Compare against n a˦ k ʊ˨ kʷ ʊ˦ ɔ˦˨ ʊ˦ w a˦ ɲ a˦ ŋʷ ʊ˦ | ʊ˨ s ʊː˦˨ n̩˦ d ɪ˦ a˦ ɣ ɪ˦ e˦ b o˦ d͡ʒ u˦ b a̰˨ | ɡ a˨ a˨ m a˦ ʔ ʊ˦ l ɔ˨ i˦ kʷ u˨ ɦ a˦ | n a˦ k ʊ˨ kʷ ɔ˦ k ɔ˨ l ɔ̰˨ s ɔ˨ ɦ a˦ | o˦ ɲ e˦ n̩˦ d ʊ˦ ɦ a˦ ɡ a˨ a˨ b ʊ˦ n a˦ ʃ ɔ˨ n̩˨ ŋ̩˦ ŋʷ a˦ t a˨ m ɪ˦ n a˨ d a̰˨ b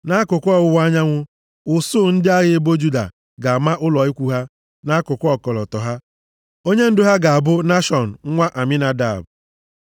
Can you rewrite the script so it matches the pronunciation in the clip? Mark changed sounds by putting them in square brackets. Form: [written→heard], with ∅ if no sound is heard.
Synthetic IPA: n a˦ k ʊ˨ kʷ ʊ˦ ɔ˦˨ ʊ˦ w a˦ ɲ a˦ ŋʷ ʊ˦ | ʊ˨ s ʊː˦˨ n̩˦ d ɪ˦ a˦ ɣ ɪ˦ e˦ b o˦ d͡ʒ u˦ [b→d] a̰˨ | ɡ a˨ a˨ m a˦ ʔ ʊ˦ l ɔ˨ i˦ kʷ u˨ ɦ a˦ | n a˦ k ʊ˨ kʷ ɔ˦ k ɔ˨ l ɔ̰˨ [s→t] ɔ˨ ɦ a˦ | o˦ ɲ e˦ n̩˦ d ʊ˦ ɦ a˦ ɡ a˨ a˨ b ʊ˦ n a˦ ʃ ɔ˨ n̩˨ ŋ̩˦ ŋʷ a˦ [t→ʔ] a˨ m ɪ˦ n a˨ d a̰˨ b